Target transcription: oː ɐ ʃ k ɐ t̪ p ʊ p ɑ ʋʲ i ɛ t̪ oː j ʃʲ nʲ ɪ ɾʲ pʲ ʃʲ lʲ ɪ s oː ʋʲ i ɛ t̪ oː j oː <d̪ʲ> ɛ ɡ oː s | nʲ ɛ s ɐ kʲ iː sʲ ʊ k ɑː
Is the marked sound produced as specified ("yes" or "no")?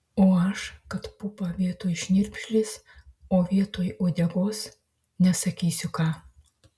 yes